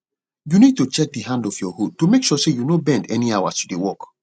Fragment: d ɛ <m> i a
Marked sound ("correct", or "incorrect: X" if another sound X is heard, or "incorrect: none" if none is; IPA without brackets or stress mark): incorrect: n